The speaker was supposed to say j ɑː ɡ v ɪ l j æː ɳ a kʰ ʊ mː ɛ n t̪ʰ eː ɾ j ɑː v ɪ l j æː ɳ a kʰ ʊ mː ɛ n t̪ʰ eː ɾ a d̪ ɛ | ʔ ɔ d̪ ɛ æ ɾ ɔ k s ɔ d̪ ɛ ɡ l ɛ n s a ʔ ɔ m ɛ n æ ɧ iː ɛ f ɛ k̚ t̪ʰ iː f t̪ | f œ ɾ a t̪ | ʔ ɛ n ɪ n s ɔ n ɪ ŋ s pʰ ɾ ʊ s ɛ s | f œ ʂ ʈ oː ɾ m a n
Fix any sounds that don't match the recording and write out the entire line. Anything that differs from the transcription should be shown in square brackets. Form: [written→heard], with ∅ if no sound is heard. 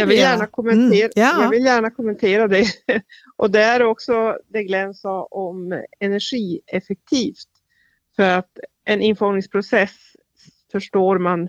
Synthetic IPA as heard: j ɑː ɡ v ɪ l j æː ɳ a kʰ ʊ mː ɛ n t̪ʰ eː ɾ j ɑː v ɪ l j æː ɳ a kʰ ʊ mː ɛ n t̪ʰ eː ɾ a d̪ ɛ | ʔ ɔ d̪ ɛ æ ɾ ɔ k s ɔ d̪ ɛ ɡ l ɛ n s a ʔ ɔ m ɛ n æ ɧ iː ɛ f ɛ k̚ t̪ʰ iː f t̪ | f œ ɾ a t̪ | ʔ ɛ n ɪ n [s→f] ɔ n ɪ ŋ s pʰ ɾ ʊ s ɛ s | f œ ʂ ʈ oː ɾ m a n